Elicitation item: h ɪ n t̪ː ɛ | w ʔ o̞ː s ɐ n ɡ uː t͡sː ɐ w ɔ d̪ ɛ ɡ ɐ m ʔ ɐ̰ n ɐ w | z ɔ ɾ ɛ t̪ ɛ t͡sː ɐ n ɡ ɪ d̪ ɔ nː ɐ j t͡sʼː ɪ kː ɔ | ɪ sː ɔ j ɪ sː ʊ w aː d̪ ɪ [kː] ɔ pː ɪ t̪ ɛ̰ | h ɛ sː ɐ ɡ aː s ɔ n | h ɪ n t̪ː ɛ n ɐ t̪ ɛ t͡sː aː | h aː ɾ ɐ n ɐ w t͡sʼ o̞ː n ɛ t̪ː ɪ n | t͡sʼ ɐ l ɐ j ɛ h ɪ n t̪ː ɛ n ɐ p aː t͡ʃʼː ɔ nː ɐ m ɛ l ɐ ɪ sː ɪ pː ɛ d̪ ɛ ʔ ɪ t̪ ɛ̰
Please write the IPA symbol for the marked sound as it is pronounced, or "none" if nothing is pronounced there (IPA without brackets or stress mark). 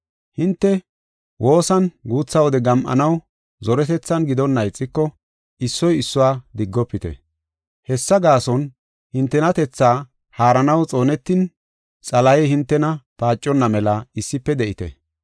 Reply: ɡː